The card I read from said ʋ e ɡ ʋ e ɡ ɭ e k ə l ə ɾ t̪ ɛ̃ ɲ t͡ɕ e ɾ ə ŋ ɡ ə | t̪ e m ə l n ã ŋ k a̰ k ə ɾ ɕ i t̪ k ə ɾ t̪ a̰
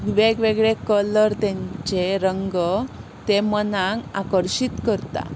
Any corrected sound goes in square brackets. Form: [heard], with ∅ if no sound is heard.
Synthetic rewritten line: ʋ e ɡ ʋ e ɡ ɭ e k ə l ə ɾ t̪ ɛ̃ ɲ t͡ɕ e ɾ ə ŋ ɡ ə | t̪ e m ə [∅] n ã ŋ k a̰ k ə ɾ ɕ i t̪ k ə ɾ t̪ a̰

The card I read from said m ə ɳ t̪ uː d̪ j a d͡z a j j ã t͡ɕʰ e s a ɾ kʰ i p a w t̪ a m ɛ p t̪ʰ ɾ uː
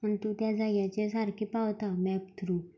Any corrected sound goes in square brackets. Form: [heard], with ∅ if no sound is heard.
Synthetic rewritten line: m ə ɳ t̪ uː [t̪] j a d͡z a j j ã [t͡ɕ] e s a ɾ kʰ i p a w t̪ a m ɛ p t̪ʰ ɾ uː

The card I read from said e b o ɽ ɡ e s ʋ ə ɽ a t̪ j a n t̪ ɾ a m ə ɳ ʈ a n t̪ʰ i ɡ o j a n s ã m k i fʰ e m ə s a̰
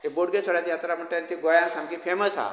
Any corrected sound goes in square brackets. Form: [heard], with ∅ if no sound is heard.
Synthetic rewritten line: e b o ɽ ɡ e s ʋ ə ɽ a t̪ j a [∅] t̪ ɾ a m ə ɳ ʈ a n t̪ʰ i ɡ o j a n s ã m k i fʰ e m ə s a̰

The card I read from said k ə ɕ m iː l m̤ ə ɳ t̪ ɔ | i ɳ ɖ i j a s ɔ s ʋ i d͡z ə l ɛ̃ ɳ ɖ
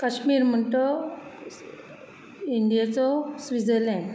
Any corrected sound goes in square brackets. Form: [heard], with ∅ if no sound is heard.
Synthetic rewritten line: k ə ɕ m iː [ɾ] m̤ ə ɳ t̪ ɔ | i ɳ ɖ i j a [t͡s] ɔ s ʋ i d͡z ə l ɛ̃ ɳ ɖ

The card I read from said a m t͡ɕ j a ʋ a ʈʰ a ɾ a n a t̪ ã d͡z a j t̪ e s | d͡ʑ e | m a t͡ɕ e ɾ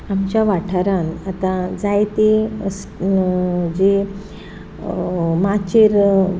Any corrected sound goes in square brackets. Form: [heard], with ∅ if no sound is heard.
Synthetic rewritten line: a m t͡ɕ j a ʋ a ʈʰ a ɾ a n a t̪ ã d͡z a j t̪ e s | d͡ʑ e | m a t͡ɕ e ɾ

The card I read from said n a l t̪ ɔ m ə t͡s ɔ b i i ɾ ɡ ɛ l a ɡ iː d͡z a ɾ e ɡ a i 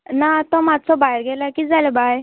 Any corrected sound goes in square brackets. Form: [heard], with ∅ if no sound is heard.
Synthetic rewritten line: n a [∅] t̪ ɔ m [a] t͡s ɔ b [a] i ɾ ɡ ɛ l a [k] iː d͡z a [l] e [b] a [j]

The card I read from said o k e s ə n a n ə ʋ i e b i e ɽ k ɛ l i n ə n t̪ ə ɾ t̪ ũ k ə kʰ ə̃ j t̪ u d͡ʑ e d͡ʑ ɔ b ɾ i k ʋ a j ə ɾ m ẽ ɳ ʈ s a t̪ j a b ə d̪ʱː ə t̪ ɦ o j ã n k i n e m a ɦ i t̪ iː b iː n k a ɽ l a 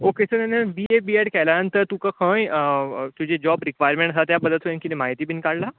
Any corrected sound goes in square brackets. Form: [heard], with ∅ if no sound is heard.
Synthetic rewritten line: o k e s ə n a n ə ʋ i e b i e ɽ k ɛ l [a] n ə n t̪ ə ɾ t̪ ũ k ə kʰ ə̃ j t̪ u d͡ʑ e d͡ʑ ɔ b ɾ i k ʋ a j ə ɾ m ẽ ɳ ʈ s a t̪ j a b ə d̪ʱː ə t̪ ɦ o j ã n k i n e m a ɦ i t̪ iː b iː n k a ɽ l a

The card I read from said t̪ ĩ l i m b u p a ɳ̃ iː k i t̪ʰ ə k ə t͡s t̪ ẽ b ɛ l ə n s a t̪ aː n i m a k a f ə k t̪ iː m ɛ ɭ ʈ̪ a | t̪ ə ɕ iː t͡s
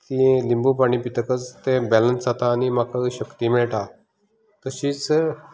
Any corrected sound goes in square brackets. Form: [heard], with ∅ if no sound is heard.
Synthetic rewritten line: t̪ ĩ l i m b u p a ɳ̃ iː [p] i [t̪] ə k ə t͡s t̪ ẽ b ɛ l ə n s a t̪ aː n i m a k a [ɕ] ə k t̪ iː m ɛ ɭ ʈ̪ a | t̪ ə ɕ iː t͡s

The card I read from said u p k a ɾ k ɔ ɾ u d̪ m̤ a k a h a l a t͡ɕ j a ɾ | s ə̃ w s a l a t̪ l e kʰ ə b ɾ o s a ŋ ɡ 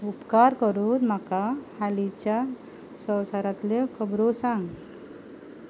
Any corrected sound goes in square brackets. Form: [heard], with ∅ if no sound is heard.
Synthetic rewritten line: u p k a ɾ k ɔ ɾ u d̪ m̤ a k a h a l [i] t͡ɕ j a [∅] | s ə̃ w s a [ɾ] a t̪ l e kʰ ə b ɾ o s a ŋ ɡ

